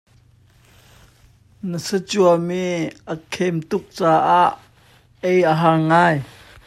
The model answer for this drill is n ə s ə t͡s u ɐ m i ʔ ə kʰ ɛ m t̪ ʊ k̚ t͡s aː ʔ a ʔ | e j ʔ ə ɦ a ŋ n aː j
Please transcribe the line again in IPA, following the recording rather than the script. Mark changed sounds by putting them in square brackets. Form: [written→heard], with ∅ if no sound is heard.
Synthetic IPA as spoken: n ə s ə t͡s u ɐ m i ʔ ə kʰ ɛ m t̪ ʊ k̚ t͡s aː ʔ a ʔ | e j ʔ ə ɦ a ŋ [n→ŋ] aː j